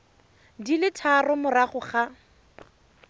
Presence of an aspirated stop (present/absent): present